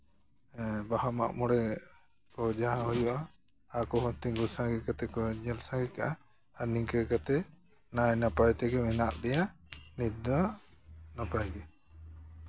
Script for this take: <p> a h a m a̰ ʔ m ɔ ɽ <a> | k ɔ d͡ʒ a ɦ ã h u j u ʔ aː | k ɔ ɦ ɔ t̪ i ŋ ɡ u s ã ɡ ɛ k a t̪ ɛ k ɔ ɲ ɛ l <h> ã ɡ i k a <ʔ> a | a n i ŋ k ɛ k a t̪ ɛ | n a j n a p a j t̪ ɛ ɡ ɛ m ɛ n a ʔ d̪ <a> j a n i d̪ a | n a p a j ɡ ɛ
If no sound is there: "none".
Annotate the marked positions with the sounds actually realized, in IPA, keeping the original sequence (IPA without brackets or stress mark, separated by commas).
b, ɛ, s, ʔ, ɛ